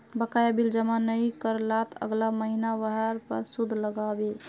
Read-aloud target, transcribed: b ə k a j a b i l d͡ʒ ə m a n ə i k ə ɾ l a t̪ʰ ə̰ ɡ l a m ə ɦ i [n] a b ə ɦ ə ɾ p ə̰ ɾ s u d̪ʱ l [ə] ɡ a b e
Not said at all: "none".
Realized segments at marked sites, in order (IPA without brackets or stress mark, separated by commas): n, ə